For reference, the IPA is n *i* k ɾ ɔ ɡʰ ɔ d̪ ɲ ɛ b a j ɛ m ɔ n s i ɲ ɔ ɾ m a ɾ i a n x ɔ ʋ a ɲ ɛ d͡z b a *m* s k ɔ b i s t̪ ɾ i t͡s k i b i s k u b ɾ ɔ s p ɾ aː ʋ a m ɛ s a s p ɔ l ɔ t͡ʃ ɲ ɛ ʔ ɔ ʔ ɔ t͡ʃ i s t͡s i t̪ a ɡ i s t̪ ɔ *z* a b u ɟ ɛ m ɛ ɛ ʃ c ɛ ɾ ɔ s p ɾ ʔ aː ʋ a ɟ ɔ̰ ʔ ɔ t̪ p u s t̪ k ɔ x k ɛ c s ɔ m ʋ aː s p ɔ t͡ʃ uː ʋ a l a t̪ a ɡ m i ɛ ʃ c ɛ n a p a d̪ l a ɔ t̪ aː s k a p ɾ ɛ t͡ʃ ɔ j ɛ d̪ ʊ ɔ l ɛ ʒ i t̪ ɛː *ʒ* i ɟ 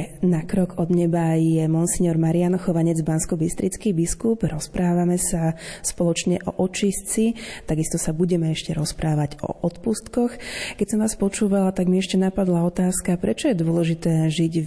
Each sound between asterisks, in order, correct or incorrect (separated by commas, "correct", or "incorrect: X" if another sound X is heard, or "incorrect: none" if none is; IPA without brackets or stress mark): incorrect: a, incorrect: n, incorrect: s, correct